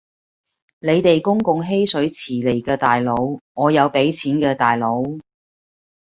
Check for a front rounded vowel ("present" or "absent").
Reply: absent